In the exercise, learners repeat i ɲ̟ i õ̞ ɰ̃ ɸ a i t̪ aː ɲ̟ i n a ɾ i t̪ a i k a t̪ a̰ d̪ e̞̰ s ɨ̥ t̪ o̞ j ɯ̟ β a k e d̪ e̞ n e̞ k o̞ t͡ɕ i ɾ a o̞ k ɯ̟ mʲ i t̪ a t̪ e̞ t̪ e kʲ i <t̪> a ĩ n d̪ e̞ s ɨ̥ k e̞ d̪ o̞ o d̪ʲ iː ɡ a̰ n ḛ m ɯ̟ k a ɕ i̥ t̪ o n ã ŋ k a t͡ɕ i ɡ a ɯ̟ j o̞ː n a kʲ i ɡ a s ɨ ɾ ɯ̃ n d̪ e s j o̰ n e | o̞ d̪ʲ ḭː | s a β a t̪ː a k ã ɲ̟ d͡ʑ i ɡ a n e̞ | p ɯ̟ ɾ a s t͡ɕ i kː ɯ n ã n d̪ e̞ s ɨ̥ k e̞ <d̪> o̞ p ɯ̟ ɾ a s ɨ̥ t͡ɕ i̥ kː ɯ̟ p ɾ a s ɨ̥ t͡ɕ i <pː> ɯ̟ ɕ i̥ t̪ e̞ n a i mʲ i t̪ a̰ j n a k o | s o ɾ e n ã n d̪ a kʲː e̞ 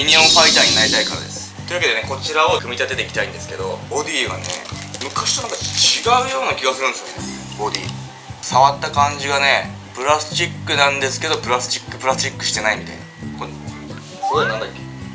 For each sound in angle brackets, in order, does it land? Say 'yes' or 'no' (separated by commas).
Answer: yes, yes, no